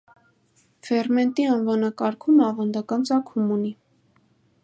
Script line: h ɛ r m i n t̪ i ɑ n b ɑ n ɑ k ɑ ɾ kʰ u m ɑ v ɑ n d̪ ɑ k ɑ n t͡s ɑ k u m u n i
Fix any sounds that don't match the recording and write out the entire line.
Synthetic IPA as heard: f ɛ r m ɛ n t̪ i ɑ n v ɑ n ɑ k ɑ ɾ kʰ u m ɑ v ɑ n d̪ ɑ k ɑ n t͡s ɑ kʰ u m u n i

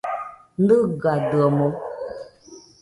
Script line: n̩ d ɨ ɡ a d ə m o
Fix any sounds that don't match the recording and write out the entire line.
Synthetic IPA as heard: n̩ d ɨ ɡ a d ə m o

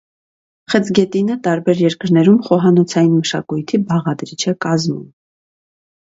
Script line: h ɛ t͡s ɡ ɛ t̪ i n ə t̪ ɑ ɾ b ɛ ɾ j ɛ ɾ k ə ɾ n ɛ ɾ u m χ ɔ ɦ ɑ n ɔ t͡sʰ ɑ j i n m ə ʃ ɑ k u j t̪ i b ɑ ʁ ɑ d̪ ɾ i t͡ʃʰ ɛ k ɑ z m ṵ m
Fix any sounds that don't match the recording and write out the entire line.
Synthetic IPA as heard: χ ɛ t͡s ɡ ɛ t̪ i n ə t̪ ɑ ɾ b ɛ ɾ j ɛ ɾ k ə ɾ n ɛ ɾ u m χ ɔ ɦ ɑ n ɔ t͡sʰ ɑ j i n m ə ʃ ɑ k u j t̪ʰ i b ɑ ʁ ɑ d̪ ɾ i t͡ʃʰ ɛ k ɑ z m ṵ m

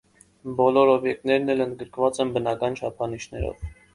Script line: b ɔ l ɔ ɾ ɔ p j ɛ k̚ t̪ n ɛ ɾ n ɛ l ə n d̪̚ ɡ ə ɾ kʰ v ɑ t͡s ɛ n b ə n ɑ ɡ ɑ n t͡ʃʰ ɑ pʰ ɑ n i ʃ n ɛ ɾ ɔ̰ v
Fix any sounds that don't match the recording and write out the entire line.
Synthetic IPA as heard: b ɔ l ɔ ɾ ɔ b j ɛ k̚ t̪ n ɛ ɾ n ɛ l ə n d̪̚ ɡ ə ɾ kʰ v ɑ t͡s ɛ n b ə n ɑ k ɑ n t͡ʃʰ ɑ pʰ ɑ n i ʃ n ɛ ɾ ɔ̰ v

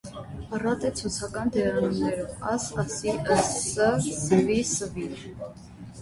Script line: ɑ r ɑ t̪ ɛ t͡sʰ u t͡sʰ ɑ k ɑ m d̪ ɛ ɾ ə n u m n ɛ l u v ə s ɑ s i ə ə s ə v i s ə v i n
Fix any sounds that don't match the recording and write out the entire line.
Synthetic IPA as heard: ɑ r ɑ t̪ ɛ t͡sʰ u t͡sʰ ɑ k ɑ n d̪ ɛ ɾ ɑ n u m n ɛ ɾ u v ɑ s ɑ s i ə ə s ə v i s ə v i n

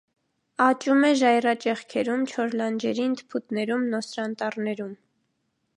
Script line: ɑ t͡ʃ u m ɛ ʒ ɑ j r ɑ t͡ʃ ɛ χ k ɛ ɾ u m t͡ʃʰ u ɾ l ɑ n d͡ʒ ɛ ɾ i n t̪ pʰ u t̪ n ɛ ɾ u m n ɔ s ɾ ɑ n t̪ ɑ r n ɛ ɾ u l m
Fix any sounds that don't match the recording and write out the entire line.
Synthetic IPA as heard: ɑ t͡ʃ u m ɛ ʒ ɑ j r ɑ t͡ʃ ɛ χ kʰ ɛ ɾ u m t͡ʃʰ ɔ ɾ l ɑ n d͡ʒ ɛ ɾ i n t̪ pʰ u t̪ n ɛ ɾ u m n ɔ s ɾ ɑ n t̪ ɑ r n ɛ ɾ u m

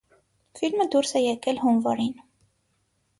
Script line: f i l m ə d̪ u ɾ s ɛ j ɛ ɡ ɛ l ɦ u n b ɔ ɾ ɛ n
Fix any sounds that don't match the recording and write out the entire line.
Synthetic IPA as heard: f i l m ə d̪ u ɾ s ɛ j ɛ k ɛ l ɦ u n v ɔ ɾ i n

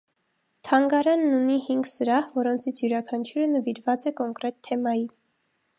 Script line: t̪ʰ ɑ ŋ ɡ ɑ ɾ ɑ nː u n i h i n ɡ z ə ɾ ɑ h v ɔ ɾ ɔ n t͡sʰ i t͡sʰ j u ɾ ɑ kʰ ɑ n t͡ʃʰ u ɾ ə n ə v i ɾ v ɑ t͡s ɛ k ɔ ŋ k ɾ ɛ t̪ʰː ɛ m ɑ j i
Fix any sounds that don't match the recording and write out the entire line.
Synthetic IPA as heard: t̪ʰ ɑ ŋ ɡ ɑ ɾ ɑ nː u n i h i ŋ ɡ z ə ɾ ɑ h v ɔ ɾ ɔ n t͡sʰ i t͡sʰ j u ɾ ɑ kʰ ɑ n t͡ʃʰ u ɾ ə n ə v i ɾ v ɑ t͡s ɛ k ɔ ŋ k ɾ ɛ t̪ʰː ɛ m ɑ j i

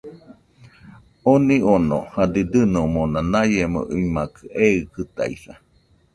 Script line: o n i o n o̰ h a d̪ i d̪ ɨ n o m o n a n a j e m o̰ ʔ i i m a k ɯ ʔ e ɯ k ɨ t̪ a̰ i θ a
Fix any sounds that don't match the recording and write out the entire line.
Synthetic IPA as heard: o n i o n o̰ h a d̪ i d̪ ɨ n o m o n a n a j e m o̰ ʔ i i m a k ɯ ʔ e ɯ k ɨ t̪ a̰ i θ a

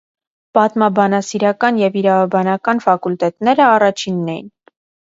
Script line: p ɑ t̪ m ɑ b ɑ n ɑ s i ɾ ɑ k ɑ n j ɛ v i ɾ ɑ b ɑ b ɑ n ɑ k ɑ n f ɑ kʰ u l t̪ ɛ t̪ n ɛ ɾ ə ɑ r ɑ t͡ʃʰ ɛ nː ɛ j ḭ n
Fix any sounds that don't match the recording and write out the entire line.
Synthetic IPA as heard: p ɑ t̪ m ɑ b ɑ n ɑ s i ɾ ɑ k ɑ n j ɛ v i ɾ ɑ v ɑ b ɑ n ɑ k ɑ n f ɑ k u l t̪ ɛ t̪ n ɛ ɾ ə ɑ r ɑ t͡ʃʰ i nː ɛ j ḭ n

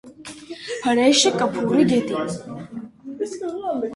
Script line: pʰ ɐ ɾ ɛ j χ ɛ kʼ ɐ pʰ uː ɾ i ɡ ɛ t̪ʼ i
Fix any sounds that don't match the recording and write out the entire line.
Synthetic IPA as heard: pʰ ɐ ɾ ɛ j ʃ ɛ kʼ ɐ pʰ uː ɾ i ɡ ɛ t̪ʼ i

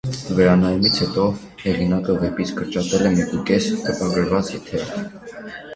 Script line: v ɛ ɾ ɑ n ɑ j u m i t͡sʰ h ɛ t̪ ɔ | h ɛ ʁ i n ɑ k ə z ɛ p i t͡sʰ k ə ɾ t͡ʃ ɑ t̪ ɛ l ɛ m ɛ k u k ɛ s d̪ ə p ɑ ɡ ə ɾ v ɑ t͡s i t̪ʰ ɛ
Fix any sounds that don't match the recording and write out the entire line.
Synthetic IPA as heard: v ɛ ɾ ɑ n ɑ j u m i t͡sʰ h ɛ t̪ ɔ | h ɛ ʁ i n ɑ k ə v ɛ p i t͡sʰ k ə ɾ t͡ʃ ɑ t̪ ɛ l ɛ m ɛ k u k ɛ s t̪ ə p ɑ ɡ ə ɾ v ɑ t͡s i t̪ʰ ɛ

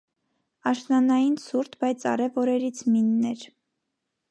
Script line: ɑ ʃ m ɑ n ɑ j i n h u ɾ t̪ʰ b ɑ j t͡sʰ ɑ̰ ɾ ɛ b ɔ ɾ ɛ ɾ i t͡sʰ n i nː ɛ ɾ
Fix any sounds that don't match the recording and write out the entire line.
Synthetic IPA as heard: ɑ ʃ n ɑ n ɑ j i n s u ɾ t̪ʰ b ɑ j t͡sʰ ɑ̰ ɾ ɛ v ɔ ɾ ɛ ɾ i t͡sʰ m i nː ɛ ɾ

